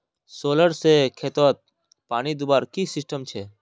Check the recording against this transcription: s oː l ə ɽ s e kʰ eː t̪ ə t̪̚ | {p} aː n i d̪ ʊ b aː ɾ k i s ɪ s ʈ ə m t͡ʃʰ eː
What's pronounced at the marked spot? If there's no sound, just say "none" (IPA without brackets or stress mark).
p